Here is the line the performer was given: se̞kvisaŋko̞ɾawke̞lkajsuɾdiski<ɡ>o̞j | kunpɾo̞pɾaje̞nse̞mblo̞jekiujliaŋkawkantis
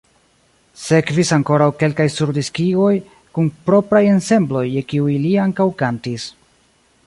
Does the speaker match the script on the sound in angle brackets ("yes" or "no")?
yes